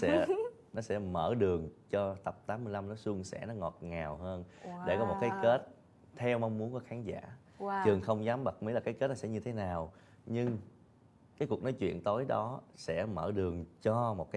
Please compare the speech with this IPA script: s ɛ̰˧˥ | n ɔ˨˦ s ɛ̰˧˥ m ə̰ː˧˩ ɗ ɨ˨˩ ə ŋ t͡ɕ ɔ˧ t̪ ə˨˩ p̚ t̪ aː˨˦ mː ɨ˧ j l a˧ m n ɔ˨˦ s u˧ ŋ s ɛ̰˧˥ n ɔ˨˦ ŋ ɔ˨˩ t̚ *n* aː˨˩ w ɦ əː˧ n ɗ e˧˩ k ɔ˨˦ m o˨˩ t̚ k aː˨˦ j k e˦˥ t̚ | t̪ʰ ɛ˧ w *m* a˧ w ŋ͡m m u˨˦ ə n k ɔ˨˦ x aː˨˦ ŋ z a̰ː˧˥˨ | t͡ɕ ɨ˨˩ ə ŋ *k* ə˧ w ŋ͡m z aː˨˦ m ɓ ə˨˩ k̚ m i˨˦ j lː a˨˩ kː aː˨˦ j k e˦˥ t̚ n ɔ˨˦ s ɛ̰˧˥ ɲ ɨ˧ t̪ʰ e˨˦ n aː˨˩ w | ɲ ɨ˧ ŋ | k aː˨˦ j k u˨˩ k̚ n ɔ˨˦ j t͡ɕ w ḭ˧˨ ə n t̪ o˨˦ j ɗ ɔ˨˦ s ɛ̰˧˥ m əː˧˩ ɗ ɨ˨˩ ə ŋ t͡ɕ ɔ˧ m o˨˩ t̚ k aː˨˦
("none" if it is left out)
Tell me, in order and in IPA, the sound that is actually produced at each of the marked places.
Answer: ŋ, m, x

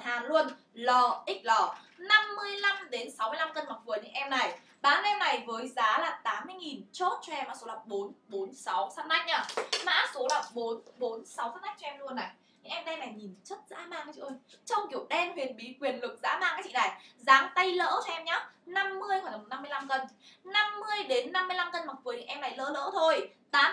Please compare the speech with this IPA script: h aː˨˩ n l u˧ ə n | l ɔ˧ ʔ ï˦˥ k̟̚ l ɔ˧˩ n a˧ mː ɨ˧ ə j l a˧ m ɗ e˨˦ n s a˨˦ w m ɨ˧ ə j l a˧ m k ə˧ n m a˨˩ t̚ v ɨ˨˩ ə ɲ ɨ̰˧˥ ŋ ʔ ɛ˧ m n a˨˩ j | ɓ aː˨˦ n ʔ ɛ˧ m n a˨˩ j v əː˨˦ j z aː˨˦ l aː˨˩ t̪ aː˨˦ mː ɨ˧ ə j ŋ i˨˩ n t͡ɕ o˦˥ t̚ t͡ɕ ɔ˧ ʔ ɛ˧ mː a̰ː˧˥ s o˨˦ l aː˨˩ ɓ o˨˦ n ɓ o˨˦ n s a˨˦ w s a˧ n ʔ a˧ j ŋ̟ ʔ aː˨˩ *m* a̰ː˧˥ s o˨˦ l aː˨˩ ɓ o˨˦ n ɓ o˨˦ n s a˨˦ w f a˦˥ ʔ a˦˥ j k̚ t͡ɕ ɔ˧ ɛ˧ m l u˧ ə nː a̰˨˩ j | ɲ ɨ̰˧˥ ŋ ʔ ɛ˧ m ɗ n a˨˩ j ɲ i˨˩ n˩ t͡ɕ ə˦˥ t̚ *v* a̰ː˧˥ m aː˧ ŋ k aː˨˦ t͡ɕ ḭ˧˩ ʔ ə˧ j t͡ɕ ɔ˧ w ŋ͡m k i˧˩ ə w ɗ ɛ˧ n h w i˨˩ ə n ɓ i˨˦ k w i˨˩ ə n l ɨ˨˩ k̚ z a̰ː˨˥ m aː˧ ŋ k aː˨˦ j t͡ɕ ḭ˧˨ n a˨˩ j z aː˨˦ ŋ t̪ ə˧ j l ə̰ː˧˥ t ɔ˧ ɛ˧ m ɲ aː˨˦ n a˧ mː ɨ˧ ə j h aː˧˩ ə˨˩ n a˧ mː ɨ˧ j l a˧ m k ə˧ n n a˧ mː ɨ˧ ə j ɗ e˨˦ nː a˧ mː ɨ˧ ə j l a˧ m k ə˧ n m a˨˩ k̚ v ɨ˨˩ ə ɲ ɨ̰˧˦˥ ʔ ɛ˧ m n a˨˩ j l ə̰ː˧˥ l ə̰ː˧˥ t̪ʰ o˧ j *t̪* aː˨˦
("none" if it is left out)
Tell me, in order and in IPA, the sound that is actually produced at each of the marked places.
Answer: m, z, t̪

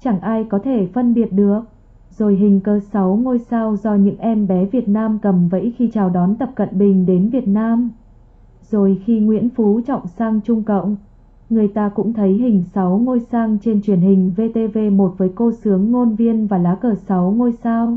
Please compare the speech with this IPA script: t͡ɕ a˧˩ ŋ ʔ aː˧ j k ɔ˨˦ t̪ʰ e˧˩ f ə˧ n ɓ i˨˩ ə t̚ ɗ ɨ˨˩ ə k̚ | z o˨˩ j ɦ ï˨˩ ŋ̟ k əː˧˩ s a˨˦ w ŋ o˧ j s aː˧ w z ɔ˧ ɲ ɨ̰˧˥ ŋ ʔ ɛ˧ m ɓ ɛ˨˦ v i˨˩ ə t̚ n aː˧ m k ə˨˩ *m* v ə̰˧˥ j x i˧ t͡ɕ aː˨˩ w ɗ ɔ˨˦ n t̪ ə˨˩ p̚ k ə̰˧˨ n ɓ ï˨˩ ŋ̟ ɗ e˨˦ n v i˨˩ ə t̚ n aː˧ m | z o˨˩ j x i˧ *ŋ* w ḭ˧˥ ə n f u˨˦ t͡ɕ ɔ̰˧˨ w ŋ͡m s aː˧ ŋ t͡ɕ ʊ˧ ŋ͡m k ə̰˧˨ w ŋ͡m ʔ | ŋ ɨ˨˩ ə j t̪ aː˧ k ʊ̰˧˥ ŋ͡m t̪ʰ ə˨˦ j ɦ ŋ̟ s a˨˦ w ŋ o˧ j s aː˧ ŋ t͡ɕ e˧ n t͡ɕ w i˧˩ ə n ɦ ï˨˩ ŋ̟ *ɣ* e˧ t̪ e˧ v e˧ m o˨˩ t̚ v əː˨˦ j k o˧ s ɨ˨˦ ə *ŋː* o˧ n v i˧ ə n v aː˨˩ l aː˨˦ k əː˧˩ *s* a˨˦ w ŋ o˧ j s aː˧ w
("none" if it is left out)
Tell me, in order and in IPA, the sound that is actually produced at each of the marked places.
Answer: m, ŋ, v, ŋː, s

